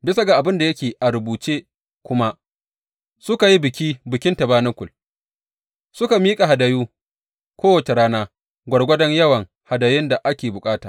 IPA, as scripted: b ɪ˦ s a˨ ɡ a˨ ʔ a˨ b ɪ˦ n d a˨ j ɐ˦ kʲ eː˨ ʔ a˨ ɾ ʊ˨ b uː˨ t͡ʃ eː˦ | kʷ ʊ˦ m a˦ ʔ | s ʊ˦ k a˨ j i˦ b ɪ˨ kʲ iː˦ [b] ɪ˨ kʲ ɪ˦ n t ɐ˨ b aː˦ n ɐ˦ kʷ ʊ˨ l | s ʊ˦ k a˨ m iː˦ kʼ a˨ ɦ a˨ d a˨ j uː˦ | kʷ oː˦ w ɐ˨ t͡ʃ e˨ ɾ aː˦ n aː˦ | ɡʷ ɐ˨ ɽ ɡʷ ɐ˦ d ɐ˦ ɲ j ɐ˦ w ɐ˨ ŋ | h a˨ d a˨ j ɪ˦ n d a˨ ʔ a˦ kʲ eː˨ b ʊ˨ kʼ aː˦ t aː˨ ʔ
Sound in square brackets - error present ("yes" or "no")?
no